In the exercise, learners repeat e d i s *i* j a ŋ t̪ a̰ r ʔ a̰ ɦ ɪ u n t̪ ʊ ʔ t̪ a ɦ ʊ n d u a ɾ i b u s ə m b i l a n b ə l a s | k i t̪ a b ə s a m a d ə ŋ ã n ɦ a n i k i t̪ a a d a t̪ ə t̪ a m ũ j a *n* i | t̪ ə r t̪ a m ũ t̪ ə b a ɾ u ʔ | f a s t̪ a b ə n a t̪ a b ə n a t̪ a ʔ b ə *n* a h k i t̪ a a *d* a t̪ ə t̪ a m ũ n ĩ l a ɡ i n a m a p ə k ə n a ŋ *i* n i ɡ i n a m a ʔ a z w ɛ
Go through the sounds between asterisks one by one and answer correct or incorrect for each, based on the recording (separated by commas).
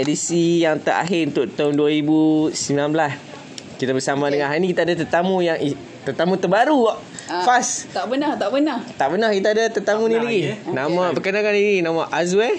correct, incorrect, correct, correct, incorrect